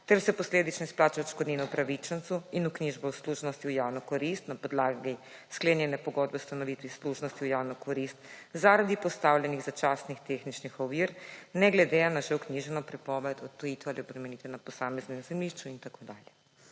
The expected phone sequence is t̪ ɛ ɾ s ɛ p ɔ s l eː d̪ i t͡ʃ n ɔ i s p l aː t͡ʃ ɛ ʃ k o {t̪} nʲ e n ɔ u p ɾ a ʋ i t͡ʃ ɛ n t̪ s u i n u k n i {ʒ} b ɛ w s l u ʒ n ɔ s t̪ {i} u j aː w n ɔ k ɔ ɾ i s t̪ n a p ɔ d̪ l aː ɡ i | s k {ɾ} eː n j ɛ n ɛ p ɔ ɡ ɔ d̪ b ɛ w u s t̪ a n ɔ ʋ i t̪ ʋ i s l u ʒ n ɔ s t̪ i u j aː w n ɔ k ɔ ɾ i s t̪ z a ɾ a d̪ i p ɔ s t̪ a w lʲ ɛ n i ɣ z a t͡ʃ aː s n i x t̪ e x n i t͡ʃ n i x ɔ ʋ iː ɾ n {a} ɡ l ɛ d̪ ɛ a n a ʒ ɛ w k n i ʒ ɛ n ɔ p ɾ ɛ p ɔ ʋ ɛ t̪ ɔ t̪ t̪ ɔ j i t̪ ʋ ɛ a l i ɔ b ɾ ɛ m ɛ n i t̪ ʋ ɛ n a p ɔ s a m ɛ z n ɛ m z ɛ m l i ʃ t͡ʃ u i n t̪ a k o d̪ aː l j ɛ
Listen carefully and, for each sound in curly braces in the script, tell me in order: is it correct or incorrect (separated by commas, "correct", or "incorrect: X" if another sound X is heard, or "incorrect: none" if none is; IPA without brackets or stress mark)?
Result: incorrect: d̪, correct, correct, incorrect: l, incorrect: ɛ